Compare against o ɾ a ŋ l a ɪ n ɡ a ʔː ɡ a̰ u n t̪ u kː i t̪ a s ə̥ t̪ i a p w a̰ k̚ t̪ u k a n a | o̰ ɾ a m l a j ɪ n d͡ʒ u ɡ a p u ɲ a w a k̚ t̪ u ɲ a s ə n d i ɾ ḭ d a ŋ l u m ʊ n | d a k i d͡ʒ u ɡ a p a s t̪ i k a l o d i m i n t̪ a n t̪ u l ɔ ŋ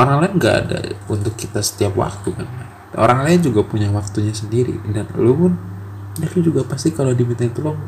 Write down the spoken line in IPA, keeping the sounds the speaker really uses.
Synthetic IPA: o ɾ a ŋ l a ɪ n ɡ a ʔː d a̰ u n t̪ ʊ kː i t̪ a s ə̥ t̪ i a p w a̰ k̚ t̪ u k a n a | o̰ ɾ a ŋ l a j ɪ n d͡ʒ u ɡ a p u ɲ a w a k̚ t̪ u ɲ a s ə n d i ɾ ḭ d a n l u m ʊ n | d a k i d͡ʒ u ɡ a p a s t̪ i k a l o d i m i n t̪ a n t̪ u l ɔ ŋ